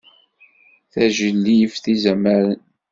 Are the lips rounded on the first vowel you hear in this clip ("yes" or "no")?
no